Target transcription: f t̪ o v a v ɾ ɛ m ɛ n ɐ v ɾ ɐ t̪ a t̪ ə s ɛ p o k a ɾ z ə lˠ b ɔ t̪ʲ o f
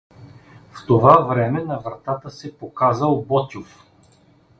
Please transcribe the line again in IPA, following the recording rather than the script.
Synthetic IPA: f t̪ o v a v ɾ ɛ m ɛ n ɐ v ɾ ɐ t̪ a t̪ ə s ɛ p o k a z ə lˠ b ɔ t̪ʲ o f